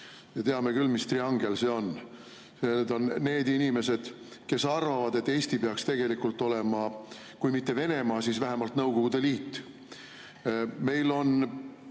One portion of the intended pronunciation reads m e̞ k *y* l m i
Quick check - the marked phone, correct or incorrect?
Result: correct